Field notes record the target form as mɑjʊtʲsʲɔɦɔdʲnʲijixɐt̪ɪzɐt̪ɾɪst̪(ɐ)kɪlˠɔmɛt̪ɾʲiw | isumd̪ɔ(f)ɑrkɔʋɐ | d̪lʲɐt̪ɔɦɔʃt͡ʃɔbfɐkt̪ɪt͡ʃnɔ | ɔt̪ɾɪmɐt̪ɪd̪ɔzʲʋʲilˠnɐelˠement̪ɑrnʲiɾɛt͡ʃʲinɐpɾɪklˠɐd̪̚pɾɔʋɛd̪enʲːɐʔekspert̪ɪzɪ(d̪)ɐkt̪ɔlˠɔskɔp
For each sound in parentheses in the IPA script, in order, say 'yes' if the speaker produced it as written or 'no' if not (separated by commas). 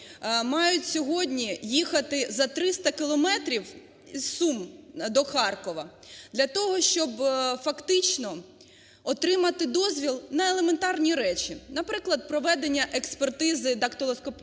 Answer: yes, no, yes